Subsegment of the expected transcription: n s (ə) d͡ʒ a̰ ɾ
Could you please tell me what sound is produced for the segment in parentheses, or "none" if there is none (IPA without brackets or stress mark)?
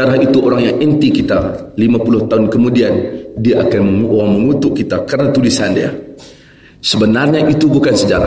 ə